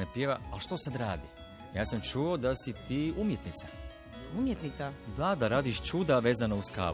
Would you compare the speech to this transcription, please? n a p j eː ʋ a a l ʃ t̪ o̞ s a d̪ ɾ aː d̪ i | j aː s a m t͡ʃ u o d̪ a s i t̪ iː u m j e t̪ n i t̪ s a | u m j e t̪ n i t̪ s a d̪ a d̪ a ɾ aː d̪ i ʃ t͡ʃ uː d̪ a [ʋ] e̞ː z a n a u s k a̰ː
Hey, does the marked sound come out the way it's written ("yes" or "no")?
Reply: yes